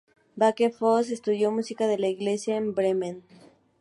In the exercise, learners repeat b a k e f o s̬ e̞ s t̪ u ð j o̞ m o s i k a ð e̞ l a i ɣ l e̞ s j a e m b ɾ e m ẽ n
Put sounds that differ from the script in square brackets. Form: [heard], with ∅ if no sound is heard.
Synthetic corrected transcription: b a k e f o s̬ e̞ s t̪ u ð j o̞ m [u] s i k a ð e̞ l a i ɣ l e̞ s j a e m b ɾ e m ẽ n